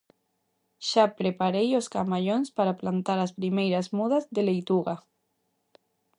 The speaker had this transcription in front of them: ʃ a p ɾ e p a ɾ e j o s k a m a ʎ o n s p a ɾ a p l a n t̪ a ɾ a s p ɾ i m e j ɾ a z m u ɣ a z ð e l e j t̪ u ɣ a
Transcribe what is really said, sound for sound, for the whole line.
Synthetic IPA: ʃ a p ɾ e p a ɾ e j o s k a m a ʎ o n s p a ɾ a p l a n t̪ a ɾ a s p ɾ i m e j ɾ a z m u ð a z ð e l e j t̪ u ɣ a